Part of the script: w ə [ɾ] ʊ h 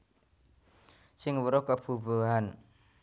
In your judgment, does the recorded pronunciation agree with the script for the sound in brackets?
yes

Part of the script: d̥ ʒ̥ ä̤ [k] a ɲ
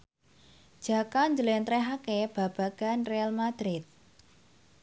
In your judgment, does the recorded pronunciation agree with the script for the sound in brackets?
yes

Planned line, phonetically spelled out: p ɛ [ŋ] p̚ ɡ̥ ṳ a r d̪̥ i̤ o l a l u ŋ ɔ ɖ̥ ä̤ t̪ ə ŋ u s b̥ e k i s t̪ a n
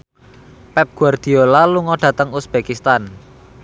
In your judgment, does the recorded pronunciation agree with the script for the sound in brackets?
no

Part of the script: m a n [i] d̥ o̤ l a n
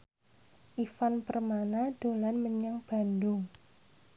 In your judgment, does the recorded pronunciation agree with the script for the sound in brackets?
no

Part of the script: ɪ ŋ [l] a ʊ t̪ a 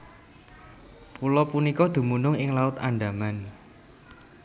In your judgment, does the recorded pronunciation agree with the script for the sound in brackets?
yes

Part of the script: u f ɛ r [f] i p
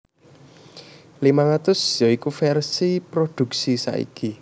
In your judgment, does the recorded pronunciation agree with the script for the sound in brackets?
no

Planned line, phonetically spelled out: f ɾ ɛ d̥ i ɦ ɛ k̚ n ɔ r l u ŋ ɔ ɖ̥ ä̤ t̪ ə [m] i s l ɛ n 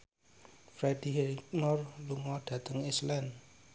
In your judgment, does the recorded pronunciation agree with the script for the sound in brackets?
no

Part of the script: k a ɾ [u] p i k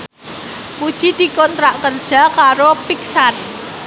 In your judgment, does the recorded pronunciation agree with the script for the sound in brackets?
no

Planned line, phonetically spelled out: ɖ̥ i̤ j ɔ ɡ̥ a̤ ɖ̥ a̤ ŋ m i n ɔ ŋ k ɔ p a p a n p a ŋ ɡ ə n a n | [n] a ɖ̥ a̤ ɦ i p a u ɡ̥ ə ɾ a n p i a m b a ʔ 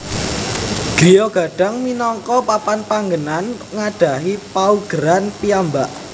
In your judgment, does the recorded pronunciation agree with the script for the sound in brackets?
no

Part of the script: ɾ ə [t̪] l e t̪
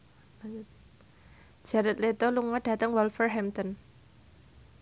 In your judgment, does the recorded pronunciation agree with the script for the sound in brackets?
yes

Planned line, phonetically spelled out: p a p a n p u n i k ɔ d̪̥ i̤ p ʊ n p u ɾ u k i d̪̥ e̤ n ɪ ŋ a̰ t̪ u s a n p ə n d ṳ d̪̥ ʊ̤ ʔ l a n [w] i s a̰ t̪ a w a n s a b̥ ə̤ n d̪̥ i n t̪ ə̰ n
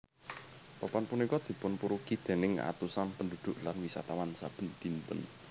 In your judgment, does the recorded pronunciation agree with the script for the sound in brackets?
yes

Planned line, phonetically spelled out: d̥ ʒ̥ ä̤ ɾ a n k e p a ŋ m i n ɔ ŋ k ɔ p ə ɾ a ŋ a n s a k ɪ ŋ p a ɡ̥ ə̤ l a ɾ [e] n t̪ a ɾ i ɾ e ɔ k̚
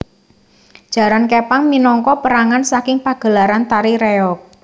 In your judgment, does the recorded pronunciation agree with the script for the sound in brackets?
no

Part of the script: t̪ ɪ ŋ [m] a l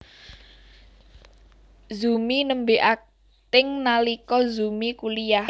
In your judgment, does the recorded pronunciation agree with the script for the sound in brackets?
no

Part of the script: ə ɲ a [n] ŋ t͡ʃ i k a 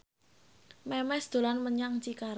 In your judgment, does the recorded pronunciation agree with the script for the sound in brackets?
no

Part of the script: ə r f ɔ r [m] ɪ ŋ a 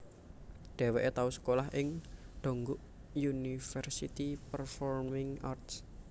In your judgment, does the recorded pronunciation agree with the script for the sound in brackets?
yes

